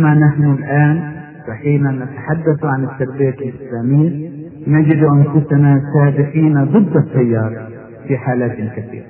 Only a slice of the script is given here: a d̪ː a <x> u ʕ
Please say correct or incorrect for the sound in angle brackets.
incorrect